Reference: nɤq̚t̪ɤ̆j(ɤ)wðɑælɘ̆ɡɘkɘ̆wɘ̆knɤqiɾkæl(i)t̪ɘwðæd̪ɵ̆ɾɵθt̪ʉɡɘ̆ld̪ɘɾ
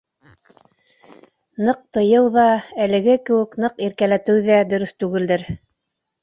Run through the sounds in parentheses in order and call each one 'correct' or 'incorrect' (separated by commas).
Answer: correct, incorrect